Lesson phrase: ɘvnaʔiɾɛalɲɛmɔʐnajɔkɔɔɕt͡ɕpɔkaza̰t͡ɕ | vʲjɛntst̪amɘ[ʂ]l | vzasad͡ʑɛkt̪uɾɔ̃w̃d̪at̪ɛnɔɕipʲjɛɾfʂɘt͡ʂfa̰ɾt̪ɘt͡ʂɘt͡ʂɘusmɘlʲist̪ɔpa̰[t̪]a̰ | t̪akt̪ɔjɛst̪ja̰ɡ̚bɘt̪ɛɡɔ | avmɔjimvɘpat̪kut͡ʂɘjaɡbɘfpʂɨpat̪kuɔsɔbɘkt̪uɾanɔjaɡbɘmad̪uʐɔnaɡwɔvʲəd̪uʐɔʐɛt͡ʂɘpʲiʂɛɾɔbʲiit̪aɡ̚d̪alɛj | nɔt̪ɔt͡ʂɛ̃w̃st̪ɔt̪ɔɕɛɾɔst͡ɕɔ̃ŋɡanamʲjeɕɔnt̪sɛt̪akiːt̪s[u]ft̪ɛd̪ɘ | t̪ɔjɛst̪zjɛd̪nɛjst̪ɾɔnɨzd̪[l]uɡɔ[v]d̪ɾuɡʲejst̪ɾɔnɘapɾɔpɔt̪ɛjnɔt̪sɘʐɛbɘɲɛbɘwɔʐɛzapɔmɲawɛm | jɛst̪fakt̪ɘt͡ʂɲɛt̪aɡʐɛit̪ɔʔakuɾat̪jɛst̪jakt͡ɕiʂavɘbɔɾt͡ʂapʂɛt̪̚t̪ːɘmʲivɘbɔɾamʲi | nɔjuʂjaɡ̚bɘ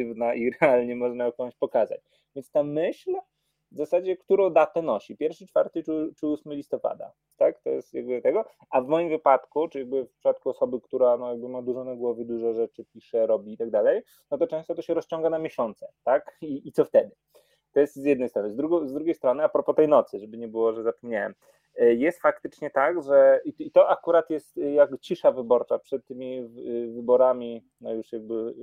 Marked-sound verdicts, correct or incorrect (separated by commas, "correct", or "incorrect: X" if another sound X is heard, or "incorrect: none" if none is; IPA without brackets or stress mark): incorrect: ɕ, incorrect: d̪, incorrect: ɔ, incorrect: ɾ, incorrect: z